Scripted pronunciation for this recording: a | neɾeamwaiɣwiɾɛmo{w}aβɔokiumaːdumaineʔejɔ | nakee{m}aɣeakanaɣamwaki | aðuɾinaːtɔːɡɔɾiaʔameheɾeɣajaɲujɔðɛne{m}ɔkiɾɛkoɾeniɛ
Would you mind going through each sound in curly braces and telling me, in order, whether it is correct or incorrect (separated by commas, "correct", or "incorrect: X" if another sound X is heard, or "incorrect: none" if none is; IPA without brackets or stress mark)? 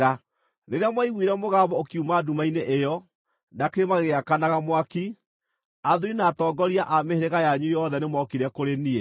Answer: incorrect: ɣ, correct, correct